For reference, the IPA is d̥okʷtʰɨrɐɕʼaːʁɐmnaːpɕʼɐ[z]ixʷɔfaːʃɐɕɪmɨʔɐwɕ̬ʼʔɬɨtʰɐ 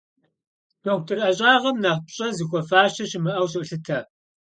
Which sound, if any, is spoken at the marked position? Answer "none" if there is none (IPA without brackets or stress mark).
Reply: z